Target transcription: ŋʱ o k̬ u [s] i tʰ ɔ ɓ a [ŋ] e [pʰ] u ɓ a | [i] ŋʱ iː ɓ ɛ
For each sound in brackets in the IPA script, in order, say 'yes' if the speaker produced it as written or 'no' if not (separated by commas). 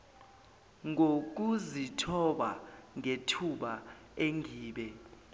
no, yes, no, no